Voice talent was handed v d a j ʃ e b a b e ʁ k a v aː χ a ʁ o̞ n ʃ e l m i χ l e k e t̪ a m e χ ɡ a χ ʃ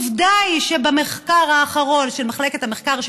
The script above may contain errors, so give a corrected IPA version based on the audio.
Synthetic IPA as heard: v d a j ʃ e b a m e χ k a ʁ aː χ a ʁ o̞ n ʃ e l m a χ l e k e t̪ a m e χ k a ʁ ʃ